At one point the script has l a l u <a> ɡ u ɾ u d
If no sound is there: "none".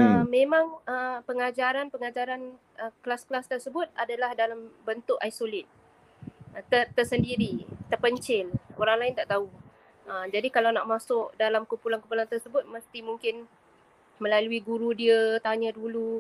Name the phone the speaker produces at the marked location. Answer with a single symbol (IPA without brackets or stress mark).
i